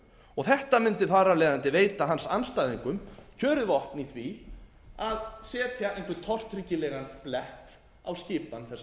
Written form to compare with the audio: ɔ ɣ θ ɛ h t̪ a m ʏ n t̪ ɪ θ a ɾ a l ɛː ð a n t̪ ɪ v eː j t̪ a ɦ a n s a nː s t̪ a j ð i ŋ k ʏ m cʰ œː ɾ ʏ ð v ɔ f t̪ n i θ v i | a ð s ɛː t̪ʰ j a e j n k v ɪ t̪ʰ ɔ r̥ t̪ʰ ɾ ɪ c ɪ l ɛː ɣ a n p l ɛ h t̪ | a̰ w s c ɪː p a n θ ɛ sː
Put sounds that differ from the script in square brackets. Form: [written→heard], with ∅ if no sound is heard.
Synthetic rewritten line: ɔ ɣ θ ɛ h t̪ a m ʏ n t̪ ɪ θ a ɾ a l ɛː ð a n t̪ ɪ v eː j t̪ a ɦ a n s a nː s t̪ a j ð i ŋ k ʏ m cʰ œː ɾ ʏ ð v ɔ [f→h] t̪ n i θ v i | a ð s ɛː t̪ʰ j a e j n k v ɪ t̪ʰ ɔ r̥ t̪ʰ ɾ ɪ c ɪ l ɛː ɣ a n p l ɛ h t̪ | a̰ w s c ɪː p a n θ ɛ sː

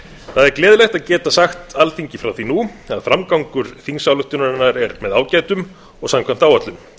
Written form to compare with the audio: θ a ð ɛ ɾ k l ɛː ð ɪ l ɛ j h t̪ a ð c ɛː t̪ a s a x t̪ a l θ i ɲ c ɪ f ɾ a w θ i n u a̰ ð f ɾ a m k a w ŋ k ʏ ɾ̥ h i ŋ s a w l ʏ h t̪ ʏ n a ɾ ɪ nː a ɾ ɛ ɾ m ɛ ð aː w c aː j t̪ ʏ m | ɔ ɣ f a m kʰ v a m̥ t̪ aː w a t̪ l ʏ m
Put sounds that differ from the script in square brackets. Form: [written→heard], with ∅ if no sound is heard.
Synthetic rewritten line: θ a ð ɛ ɾ k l ɛː ð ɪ l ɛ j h t̪ a ð c ɛː t̪ a s a x t̪ a l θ i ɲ c ɪ f ɾ a w θ i n u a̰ ð f ɾ a m k a w ŋ k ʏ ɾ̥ [h→θ] i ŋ s a w l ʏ h t̪ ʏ n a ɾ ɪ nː a ɾ ɛ ɾ m ɛ ð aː w c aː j t̪ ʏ m | ɔ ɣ [f→s] a m kʰ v a m̥ t̪ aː w a t̪ l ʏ m

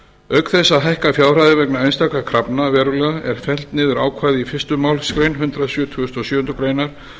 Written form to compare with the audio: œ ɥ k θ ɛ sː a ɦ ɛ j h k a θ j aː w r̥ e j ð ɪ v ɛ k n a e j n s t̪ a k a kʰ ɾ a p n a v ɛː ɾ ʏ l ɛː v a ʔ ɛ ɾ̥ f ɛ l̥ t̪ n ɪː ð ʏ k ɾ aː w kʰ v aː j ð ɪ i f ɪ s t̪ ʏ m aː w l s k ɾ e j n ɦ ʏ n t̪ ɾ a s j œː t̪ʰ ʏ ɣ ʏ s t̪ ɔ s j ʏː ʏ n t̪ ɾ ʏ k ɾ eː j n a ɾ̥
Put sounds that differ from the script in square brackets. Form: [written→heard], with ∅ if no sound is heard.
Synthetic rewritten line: œ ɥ k θ ɛ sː a ɦ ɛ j h k a [θ→f] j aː w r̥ [e→a] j ð ɪ v ɛ k n a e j n s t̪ a k a kʰ ɾ a p n a v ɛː ɾ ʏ l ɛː [v→ɣ] a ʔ ɛ ɾ̥ f ɛ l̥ t̪ n ɪː ð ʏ [k→∅] ɾ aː w kʰ v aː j ð ɪ i f ɪ s t̪ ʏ m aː w l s k ɾ e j n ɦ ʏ n t̪ ɾ a s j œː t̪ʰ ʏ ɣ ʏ s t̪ ɔ s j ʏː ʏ n t̪ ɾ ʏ k ɾ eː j n a ɾ̥

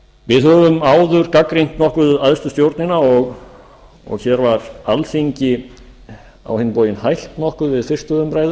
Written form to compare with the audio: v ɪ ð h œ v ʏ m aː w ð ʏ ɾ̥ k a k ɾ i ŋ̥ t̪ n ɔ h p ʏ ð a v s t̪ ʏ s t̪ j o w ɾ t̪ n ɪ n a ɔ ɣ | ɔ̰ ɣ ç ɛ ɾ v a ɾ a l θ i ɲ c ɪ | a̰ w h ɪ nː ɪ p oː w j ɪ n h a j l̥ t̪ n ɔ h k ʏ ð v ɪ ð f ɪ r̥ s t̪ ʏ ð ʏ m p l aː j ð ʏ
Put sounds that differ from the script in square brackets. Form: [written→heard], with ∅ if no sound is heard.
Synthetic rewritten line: v ɪ ð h œ v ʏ m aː w ð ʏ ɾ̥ k a k ɾ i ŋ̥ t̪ n ɔ h [p→k] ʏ ð a [v→ð] s t̪ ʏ s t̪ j o w ɾ t̪ n ɪ n a ɔ ɣ | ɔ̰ ɣ ç ɛ ɾ v a ɾ a l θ i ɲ c ɪ | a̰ w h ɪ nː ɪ p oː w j ɪ n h a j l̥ t̪ n ɔ h k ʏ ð v ɪ ð f ɪ r̥ s t̪ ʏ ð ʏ m p [l→ɾ] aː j ð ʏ

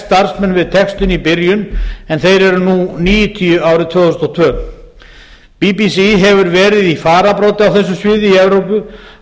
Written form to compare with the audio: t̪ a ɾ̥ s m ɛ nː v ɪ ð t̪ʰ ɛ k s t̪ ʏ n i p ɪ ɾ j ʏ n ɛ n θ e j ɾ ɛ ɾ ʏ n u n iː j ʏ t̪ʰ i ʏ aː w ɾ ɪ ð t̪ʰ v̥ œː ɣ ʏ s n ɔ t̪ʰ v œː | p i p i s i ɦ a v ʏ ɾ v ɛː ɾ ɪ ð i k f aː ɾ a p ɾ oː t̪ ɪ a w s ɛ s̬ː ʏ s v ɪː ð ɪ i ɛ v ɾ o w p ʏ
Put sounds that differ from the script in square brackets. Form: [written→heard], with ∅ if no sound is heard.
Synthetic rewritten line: t̪ a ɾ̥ s m ɛ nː v ɪ ð t̪ʰ ɛ k s t̪ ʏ n i p ɪ ɾ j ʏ n ɛ n θ e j ɾ ɛ ɾ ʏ n u n iː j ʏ t̪ʰ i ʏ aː w ɾ ɪ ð t̪ʰ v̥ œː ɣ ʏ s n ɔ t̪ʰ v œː | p i p i s i ɦ [a→ɛ] v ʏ ɾ v ɛː ɾ ɪ ð i [k→∅] f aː ɾ a p ɾ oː t̪ ɪ a w [s→θ] ɛ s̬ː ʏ s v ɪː ð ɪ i ɛ v ɾ o w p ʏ

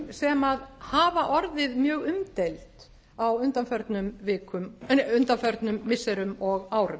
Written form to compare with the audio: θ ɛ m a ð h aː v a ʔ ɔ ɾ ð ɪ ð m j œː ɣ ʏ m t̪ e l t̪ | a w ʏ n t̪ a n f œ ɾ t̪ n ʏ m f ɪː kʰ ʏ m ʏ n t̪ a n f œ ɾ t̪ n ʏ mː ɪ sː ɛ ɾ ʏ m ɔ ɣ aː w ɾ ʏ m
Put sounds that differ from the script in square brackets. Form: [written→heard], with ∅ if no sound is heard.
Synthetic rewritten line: [θ→s] ɛ m a ð h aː v a ʔ ɔ ɾ ð ɪ ð m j œː ɣ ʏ m t̪ e l t̪ | a w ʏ n t̪ a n f œ ɾ t̪ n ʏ m [f→v] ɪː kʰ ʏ m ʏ n t̪ a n f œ ɾ t̪ n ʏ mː ɪ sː ɛ ɾ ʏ m ɔ ɣ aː w ɾ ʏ m

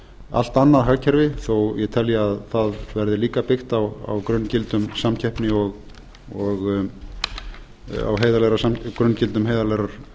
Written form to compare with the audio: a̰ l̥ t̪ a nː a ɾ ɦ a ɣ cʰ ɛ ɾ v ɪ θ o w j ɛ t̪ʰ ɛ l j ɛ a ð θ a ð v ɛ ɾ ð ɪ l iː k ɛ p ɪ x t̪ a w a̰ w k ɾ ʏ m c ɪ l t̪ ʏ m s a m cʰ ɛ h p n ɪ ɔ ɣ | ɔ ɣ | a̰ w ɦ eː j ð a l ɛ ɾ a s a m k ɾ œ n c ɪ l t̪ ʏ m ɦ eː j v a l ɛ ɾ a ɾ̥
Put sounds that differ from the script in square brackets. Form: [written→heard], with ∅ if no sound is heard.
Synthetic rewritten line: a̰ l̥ t̪ a nː a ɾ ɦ a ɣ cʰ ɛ ɾ v ɪ θ o w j ɛ t̪ʰ ɛ l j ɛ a ð θ a ð v ɛ ɾ ð ɪ l iː k [ɛ→a] p ɪ x t̪ a w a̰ w k ɾ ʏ [m→n] c ɪ l t̪ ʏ m s a m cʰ ɛ h p n ɪ ɔ ɣ | ɔ ɣ | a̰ w ɦ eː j ð a l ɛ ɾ a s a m k ɾ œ n c ɪ l t̪ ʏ m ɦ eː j [v→ð] a l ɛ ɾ a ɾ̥

